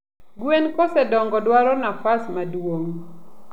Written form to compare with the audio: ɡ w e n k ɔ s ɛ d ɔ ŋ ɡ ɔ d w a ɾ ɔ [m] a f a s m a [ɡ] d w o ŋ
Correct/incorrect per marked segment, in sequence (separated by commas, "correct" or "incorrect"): incorrect, incorrect